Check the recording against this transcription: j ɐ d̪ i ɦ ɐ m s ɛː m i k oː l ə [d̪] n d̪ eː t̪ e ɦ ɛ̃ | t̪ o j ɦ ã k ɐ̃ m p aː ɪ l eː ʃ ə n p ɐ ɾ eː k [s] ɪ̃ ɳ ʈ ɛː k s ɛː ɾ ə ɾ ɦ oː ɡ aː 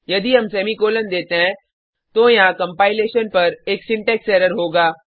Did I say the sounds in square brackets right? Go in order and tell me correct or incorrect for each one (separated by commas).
incorrect, correct